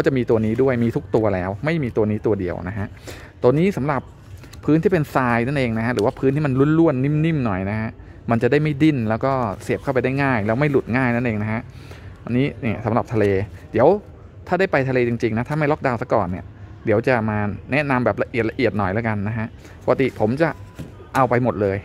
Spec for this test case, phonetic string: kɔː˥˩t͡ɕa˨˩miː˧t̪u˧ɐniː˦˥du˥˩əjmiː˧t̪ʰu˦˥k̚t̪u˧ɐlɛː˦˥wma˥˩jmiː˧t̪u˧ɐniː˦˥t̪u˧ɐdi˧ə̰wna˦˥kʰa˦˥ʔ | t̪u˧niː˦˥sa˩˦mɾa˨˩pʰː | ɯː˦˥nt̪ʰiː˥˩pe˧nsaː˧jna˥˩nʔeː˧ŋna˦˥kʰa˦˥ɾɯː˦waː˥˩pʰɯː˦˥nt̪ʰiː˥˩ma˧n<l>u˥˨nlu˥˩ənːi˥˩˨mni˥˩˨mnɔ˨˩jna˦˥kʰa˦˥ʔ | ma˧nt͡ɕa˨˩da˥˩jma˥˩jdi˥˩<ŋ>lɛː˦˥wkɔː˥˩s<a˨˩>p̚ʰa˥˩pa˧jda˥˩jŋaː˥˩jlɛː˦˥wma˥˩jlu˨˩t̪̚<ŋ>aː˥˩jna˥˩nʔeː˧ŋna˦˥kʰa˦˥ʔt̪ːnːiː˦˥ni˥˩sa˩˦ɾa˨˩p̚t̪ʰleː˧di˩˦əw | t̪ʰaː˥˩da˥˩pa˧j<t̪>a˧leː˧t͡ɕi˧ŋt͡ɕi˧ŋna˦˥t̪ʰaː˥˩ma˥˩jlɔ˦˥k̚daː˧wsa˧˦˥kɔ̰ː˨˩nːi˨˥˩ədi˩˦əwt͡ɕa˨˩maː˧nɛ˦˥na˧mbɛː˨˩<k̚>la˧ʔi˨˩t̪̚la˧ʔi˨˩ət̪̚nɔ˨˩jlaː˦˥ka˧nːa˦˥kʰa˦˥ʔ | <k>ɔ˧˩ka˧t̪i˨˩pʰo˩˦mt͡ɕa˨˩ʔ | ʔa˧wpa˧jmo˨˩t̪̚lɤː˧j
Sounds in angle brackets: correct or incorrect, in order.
correct, incorrect: n, incorrect: i˨˩, correct, incorrect: t̪ʰ, incorrect: p̚, incorrect: p

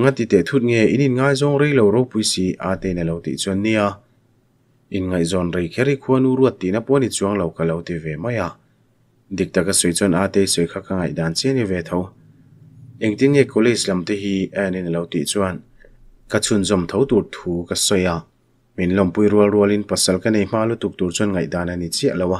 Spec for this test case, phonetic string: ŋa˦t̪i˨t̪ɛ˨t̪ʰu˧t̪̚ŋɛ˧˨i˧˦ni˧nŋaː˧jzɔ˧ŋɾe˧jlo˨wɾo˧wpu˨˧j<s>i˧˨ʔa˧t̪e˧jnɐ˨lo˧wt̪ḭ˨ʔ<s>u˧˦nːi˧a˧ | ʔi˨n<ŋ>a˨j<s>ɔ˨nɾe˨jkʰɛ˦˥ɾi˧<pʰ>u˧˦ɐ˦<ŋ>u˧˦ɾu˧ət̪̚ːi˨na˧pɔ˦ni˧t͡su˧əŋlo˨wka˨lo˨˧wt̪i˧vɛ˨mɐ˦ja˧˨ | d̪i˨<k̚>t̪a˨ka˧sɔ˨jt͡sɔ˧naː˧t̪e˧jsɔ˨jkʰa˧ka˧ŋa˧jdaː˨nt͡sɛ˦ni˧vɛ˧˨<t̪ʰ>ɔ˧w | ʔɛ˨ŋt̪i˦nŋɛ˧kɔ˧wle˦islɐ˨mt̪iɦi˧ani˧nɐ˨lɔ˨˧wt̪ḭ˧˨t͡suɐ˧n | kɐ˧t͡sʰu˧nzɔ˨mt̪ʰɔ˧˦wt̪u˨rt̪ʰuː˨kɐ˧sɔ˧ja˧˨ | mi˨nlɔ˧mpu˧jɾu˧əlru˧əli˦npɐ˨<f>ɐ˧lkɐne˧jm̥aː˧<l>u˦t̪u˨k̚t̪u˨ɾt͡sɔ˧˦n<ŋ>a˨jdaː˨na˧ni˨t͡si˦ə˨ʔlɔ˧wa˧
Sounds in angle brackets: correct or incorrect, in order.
correct, incorrect: t͡s, correct, incorrect: z, incorrect: kʰ, incorrect: n, correct, correct, incorrect: s, correct, correct

